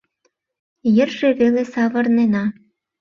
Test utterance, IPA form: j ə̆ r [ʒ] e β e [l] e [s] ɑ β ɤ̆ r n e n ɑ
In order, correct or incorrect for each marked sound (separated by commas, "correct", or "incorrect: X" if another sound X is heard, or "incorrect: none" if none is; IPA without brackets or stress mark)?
correct, correct, correct